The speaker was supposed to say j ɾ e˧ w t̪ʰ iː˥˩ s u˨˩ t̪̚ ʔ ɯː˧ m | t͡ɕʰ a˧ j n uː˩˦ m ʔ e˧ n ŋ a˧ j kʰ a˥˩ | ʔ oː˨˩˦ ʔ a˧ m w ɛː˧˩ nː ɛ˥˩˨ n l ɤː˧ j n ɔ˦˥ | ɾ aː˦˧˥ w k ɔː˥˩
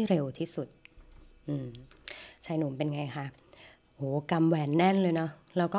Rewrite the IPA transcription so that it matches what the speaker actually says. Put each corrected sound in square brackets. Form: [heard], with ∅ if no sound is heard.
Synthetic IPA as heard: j ɾ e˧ w t̪ʰ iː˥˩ s u˨˩ t̪̚ ʔ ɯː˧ m | t͡ɕʰ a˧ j n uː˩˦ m [p] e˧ n ŋ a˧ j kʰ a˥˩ | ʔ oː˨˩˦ [k] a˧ m w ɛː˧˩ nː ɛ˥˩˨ n l ɤː˧ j n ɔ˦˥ | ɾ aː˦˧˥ w k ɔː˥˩